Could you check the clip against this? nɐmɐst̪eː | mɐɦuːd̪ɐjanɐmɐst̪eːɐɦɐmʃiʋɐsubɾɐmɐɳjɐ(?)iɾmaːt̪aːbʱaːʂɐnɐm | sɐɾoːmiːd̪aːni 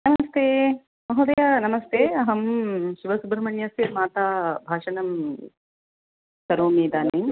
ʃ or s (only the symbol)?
s